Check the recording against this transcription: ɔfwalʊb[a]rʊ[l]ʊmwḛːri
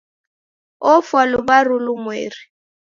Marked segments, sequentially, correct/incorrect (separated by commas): correct, correct